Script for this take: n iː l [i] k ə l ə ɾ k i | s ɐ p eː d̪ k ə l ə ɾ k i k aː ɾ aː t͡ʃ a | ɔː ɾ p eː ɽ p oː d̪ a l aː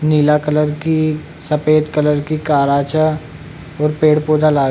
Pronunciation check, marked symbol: incorrect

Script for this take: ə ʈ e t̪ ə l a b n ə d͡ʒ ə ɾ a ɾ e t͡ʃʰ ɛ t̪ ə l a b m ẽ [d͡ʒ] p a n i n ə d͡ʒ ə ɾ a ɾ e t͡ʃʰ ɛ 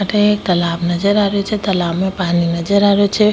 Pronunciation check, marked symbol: incorrect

